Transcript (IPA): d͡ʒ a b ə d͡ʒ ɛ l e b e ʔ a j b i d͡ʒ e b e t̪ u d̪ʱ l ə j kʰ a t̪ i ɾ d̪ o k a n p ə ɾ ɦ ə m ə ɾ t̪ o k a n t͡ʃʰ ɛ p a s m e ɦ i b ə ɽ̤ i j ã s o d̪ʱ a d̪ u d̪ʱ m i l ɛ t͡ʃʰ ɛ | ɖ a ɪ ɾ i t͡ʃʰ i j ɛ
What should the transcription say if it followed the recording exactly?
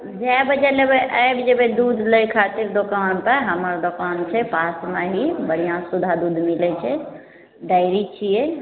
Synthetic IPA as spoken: d͡ʒ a b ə d͡ʒ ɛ l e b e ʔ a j b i d͡ʒ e b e d̪ u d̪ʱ l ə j kʰ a t̪ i ɾ d̪ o k a n p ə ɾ ɦ ə m ə ɾ d̪ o k a n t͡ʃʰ ɛ p a s m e ɦ i b ə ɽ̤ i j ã s u d̪ʱ a d̪ u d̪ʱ m i l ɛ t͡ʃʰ ɛ | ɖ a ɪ ɾ i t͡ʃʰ i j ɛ